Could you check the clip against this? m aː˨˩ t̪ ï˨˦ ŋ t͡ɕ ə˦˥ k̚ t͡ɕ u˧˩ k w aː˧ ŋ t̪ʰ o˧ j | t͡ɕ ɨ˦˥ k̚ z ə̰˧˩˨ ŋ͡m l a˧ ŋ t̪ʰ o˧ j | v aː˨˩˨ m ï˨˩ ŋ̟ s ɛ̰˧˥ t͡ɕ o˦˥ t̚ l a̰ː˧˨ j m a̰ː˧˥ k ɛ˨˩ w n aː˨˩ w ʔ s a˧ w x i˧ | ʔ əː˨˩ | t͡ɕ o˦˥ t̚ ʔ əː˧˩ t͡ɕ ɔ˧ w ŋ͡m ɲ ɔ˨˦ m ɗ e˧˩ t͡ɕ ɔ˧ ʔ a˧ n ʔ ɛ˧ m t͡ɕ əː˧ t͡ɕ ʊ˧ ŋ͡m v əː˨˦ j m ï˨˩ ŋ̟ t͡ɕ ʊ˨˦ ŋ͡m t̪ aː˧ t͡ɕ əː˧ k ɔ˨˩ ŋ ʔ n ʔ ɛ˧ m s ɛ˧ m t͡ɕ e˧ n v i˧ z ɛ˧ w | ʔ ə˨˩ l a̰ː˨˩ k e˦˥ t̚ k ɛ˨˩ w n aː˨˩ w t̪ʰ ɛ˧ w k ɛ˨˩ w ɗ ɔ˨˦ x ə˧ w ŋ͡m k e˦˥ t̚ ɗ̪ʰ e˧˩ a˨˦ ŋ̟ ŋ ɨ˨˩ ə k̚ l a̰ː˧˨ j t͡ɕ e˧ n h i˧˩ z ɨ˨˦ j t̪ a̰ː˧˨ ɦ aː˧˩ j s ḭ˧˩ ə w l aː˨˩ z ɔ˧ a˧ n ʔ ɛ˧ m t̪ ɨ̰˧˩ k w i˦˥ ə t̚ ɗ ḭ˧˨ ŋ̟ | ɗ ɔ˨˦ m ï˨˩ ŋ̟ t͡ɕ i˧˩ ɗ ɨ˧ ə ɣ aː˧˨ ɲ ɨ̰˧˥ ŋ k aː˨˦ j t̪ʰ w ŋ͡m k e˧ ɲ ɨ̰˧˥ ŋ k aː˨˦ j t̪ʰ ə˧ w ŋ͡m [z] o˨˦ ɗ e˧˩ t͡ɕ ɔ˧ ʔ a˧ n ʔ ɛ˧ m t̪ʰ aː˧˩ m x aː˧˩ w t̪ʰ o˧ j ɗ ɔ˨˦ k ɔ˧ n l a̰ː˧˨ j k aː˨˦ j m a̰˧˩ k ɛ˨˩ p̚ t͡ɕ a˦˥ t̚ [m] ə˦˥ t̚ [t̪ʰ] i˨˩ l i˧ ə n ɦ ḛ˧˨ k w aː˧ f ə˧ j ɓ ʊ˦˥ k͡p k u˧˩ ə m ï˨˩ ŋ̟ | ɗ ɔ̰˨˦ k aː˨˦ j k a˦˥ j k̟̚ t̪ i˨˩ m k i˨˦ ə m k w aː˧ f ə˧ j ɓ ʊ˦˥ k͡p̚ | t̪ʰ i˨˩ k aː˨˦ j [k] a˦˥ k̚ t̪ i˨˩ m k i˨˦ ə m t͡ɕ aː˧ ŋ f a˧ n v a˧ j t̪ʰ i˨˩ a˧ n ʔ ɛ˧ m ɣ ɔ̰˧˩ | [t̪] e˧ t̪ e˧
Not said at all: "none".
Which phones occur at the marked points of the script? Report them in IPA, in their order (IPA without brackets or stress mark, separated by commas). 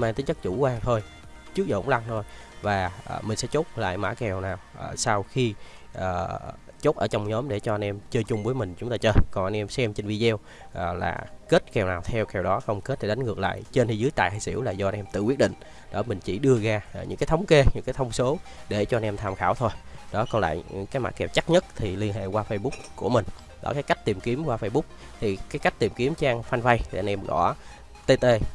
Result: s, ɲ, t̪ʰ, k, t̪